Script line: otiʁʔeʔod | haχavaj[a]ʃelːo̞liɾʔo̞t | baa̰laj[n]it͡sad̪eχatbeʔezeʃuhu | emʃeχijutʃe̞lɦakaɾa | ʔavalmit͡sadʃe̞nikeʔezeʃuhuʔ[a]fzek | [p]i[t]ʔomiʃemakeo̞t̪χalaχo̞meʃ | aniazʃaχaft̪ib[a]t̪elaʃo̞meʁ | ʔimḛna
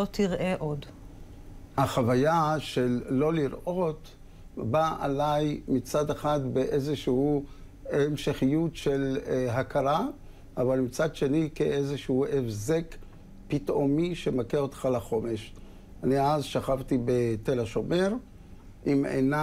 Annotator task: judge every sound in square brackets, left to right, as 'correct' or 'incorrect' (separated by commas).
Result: correct, incorrect, incorrect, correct, correct, incorrect